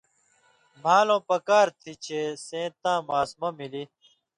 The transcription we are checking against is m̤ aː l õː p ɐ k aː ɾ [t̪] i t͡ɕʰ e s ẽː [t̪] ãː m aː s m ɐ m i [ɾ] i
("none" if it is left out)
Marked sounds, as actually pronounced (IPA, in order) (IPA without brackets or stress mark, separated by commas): t̪ʰ, t̪, l